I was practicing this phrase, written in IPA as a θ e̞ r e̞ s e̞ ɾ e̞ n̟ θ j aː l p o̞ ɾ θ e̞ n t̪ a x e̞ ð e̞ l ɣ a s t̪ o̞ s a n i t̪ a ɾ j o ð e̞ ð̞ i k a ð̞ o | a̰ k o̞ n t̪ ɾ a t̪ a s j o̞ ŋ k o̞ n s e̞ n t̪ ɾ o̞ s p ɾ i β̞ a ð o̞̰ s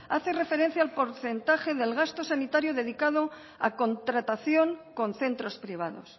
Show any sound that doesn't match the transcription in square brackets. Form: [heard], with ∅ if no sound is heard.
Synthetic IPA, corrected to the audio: a θ e̞ r e̞ [f] e̞ ɾ e̞ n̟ θ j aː l p o̞ ɾ θ e̞ n t̪ a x e̞ ð e̞ l ɣ a s t̪ o̞ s a n i t̪ a ɾ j o ð e̞ ð̞ i k a ð̞ o | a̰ k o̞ n t̪ ɾ a t̪ a [θ] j o̞ ŋ k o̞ n [θ] e̞ n t̪ ɾ o̞ s p ɾ i β̞ a ð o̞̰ s